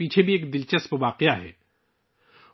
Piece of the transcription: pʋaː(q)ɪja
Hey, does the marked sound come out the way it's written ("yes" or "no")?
yes